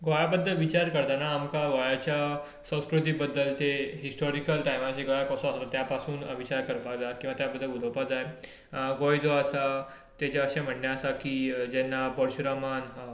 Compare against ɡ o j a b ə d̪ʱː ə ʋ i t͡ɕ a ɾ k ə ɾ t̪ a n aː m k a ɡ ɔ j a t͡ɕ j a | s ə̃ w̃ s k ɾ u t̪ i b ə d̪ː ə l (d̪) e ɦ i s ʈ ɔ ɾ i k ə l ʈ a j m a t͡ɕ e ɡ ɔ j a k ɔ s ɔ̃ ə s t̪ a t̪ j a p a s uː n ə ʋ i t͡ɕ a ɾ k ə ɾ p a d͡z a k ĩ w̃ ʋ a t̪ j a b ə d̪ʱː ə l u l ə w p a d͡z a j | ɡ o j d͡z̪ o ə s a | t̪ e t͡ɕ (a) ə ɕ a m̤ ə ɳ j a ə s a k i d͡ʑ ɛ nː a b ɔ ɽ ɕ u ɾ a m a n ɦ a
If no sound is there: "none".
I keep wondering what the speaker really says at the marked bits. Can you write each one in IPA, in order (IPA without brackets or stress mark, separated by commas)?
t̪, a